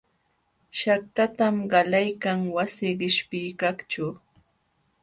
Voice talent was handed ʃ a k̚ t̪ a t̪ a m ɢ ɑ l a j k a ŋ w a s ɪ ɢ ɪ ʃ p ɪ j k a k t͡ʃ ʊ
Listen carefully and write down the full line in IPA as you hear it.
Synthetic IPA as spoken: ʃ a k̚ t̪ a t̪ a m ɢ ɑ l a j k a ŋ w a s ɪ ɢ ɪ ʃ p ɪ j k a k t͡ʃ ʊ